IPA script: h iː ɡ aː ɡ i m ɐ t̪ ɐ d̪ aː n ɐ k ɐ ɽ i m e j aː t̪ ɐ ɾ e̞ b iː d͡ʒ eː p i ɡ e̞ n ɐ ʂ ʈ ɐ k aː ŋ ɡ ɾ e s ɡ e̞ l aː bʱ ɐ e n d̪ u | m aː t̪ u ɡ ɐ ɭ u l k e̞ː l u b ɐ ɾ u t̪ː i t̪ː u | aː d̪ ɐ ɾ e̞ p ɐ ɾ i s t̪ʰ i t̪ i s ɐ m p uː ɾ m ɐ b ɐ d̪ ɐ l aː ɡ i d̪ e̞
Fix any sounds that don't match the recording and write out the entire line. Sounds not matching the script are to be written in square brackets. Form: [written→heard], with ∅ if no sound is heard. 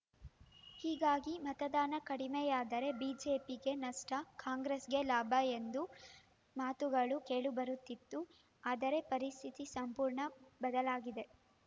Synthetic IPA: h iː ɡ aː ɡ i m ɐ t̪ ɐ d̪ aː n ɐ k ɐ ɽ i m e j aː [t̪→d̪] ɐ ɾ e̞ b iː d͡ʒ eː p i ɡ e̞ n ɐ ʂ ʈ ɐ k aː ŋ ɡ ɾ e s ɡ e̞ l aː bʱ ɐ e n d̪ u | m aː t̪ u ɡ ɐ ɭ u [l→∅] k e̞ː [l→ɭ] u b ɐ ɾ u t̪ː i t̪ː u | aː d̪ ɐ ɾ e̞ p ɐ ɾ i s t̪ʰ i t̪ i s ɐ m p uː ɾ [m→ɳ] ɐ b ɐ d̪ ɐ l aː ɡ i d̪ e̞

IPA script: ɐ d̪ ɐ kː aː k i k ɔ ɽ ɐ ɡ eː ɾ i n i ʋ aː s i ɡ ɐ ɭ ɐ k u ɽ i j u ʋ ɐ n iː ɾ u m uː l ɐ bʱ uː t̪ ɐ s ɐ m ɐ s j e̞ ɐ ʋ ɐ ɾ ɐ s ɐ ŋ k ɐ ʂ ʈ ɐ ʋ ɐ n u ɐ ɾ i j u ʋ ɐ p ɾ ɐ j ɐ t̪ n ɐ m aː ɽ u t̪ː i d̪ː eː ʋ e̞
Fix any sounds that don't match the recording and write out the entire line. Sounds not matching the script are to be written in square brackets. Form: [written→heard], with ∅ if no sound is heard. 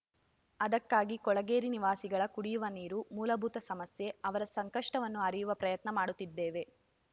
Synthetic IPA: ɐ d̪ ɐ kː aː [k→ɡ] i k ɔ [ɽ→ɭ] ɐ ɡ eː ɾ i n i ʋ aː s i ɡ ɐ ɭ ɐ k u ɽ i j u ʋ ɐ n iː ɾ u m uː l ɐ bʱ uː t̪ ɐ s ɐ m ɐ s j e̞ ɐ ʋ ɐ ɾ ɐ s ɐ ŋ k ɐ ʂ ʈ ɐ ʋ ɐ [n→nː] u ɐ ɾ i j u ʋ ɐ p ɾ ɐ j ɐ t̪ n ɐ m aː ɽ u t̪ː i d̪ː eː ʋ e̞

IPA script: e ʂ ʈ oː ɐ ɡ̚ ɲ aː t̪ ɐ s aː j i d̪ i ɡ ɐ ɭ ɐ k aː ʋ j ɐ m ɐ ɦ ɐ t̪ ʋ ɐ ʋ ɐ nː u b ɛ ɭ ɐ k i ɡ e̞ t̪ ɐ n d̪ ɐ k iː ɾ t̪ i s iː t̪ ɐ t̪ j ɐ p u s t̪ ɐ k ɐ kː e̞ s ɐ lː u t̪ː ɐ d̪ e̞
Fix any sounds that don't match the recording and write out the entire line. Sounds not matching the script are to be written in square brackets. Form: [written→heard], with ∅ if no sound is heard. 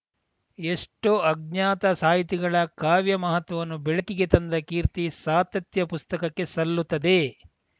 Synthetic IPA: e ʂ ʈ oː ɐ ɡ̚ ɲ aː t̪ ɐ s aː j i [d̪→t̪] i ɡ ɐ ɭ ɐ k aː ʋ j ɐ m ɐ ɦ ɐ t̪ ʋ ɐ ʋ ɐ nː u b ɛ ɭ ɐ k i ɡ e̞ t̪ ɐ n d̪ ɐ k iː ɾ t̪ i s [iː→aː] t̪ ɐ t̪ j ɐ p u s t̪ ɐ k ɐ kː e̞ s ɐ lː u t̪ː ɐ d̪ e̞

